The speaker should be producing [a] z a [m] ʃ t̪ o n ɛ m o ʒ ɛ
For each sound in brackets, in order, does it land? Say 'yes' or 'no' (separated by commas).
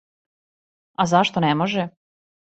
yes, no